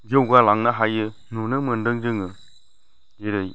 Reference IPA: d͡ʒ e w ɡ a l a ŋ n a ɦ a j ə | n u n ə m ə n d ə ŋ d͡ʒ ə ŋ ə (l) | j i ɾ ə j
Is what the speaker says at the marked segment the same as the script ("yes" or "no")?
no